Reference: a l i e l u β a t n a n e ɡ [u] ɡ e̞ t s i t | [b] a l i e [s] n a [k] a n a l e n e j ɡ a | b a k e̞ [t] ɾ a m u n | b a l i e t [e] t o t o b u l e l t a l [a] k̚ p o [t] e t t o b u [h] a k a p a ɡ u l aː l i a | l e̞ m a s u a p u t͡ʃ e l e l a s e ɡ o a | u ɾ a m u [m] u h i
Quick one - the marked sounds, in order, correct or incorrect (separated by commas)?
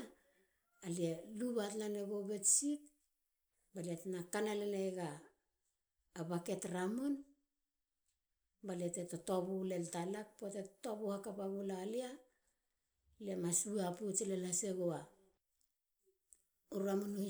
incorrect, correct, incorrect, correct, correct, correct, correct, correct, correct, incorrect